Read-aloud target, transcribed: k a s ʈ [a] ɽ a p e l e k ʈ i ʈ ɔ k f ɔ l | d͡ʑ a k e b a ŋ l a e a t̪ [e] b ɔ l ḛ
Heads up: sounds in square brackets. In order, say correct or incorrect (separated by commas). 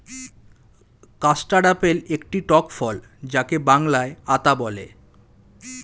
correct, incorrect